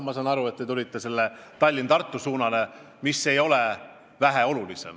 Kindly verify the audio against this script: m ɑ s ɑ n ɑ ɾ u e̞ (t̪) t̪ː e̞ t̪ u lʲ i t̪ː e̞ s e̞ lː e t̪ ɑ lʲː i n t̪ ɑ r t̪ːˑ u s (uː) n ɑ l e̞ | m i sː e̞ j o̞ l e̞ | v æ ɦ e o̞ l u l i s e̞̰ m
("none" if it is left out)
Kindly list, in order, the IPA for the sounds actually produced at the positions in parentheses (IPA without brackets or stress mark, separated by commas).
t̪, uː